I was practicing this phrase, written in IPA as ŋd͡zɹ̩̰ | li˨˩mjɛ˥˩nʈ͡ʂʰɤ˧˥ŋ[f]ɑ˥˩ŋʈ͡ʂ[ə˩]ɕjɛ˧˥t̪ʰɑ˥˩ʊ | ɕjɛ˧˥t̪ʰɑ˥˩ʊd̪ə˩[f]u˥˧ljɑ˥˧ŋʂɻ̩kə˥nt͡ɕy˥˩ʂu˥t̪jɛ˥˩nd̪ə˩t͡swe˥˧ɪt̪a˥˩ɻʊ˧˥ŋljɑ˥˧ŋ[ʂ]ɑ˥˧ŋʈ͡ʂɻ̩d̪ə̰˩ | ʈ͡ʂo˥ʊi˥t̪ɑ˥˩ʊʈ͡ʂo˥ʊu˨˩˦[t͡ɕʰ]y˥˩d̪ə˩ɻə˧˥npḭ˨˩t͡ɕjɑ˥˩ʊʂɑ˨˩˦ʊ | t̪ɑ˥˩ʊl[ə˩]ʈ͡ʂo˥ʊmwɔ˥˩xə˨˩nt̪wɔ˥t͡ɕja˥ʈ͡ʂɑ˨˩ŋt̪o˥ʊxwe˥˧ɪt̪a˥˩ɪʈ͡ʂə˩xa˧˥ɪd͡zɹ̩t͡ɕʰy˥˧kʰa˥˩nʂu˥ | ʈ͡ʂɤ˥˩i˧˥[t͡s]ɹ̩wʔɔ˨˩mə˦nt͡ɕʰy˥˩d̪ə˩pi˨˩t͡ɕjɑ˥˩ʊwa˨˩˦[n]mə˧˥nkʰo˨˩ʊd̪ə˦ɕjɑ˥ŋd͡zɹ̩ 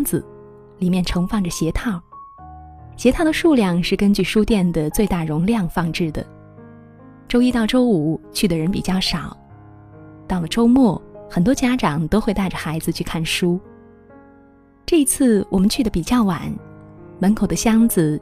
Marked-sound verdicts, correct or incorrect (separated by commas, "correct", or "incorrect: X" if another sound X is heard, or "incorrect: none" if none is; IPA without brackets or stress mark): correct, correct, incorrect: ʂ, incorrect: f, correct, correct, incorrect: t͡sʰ, correct